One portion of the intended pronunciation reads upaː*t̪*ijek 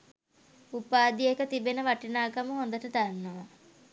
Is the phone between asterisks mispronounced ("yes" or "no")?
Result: yes